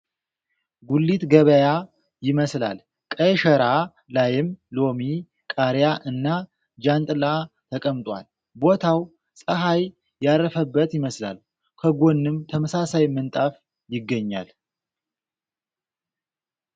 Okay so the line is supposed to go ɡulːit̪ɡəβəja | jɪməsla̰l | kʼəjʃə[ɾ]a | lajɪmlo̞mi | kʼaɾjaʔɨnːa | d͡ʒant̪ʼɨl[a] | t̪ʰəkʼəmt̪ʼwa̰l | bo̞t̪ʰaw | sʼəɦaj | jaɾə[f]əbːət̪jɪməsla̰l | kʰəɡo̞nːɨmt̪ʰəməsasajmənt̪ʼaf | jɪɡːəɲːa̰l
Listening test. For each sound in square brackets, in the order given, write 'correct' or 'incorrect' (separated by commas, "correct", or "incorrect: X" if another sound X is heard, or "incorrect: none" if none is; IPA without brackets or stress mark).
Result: correct, correct, correct